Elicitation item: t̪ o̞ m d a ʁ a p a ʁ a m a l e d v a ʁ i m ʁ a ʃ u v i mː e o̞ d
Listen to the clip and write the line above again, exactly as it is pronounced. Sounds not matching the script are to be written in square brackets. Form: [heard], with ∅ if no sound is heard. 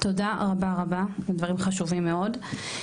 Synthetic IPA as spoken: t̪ o̞ [∅] d a ʁ a [b] a ʁ a [b] a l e d v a ʁ i m [χ] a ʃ u v i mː e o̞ d